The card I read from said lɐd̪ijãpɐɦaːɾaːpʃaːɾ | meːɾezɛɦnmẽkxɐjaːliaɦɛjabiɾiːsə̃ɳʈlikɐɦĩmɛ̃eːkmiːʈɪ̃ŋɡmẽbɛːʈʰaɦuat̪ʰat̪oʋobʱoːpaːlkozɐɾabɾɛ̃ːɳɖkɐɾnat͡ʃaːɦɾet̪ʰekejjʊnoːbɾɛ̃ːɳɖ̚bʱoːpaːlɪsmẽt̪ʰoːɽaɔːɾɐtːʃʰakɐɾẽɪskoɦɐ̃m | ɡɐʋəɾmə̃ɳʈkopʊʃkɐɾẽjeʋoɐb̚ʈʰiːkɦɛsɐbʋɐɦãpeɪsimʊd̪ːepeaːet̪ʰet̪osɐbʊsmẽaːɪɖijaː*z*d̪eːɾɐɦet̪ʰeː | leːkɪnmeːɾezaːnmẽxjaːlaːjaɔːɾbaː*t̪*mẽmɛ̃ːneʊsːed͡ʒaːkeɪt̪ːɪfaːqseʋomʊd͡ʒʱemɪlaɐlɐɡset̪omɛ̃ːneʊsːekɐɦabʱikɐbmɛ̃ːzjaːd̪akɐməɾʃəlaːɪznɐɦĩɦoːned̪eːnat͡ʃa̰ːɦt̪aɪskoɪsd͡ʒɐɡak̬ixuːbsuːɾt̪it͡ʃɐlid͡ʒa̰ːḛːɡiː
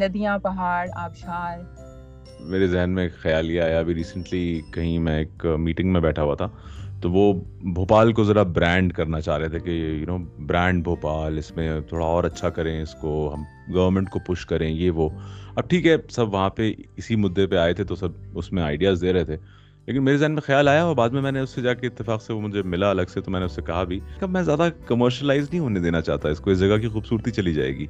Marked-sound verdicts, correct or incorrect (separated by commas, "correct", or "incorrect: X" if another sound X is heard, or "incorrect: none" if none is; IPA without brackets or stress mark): correct, incorrect: d̪